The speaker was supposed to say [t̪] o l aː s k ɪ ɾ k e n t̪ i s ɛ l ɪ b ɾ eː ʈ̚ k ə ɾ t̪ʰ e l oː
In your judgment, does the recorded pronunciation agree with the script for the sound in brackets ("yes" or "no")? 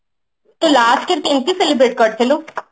yes